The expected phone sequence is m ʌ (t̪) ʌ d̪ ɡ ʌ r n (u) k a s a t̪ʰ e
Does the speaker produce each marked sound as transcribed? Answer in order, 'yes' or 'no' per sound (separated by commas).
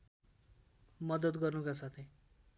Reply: no, yes